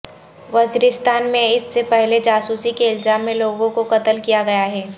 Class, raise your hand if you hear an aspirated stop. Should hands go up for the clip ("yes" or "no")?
no